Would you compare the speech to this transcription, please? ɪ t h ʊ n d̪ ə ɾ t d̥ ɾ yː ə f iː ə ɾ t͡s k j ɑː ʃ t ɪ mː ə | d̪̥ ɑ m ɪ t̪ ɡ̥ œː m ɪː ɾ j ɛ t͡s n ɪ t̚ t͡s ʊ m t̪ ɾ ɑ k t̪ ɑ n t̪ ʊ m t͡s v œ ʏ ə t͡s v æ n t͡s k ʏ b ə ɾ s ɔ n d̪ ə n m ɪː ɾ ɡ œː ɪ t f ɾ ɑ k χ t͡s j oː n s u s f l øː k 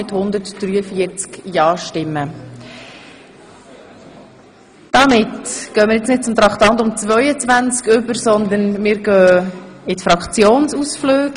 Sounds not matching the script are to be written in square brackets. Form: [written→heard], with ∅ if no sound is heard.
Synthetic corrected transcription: ɪ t h ʊ n d̪ ə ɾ t d̥ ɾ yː ə f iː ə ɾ t͡s k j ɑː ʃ t ɪ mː ə | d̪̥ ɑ m ɪ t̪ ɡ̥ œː m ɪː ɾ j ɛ t͡s n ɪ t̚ t͡s ʊ m t̪ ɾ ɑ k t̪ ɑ n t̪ ʊ m t͡s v œ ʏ ə t͡s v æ n t͡s k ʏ b ə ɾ s ɔ n d̪ ə n m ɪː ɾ ɡ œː ɪ t f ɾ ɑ k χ t͡s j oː n s u s f l øː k